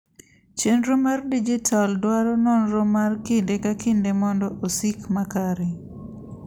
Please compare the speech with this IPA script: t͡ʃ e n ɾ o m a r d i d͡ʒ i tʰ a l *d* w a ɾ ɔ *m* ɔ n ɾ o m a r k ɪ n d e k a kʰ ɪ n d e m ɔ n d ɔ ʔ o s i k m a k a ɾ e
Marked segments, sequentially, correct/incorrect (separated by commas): correct, incorrect